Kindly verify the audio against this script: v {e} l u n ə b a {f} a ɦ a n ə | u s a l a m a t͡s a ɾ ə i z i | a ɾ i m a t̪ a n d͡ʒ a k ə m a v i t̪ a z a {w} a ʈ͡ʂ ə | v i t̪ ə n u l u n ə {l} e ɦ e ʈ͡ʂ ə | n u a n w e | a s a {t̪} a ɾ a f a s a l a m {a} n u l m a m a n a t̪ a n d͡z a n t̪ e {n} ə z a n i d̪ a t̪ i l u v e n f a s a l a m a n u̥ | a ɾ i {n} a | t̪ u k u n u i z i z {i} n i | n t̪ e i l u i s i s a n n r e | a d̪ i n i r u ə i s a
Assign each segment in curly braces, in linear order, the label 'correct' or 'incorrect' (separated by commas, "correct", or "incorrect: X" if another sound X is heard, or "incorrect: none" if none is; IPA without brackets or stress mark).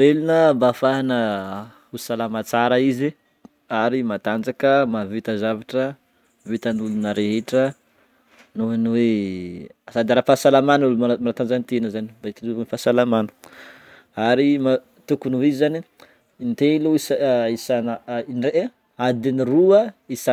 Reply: correct, correct, incorrect: v, incorrect: ɾ, incorrect: d̪, correct, correct, incorrect: m, incorrect: a